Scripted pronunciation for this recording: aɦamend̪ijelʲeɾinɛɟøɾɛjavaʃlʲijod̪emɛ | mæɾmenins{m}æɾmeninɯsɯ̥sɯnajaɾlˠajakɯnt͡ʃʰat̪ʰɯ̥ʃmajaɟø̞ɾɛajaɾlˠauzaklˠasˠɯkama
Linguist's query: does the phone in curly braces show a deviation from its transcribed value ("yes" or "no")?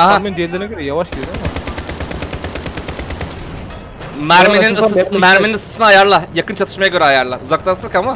no